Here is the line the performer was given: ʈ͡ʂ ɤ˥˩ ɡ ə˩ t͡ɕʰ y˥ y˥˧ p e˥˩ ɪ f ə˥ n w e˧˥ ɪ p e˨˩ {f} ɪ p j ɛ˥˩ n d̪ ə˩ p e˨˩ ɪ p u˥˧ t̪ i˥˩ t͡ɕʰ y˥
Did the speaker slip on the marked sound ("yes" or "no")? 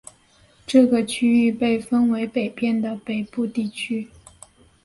yes